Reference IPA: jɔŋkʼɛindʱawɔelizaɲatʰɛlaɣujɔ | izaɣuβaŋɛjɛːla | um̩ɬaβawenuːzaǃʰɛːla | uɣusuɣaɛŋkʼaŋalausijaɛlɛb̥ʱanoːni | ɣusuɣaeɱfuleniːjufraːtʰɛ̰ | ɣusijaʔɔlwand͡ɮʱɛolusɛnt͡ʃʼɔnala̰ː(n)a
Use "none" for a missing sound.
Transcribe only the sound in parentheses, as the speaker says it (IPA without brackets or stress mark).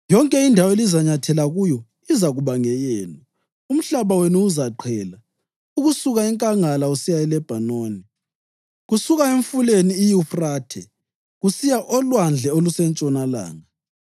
ŋ